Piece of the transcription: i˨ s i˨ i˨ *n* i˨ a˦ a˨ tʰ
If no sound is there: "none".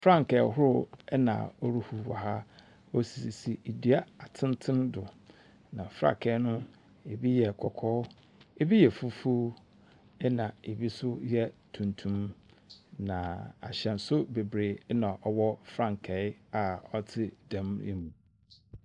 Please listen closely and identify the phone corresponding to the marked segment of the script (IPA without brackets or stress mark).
d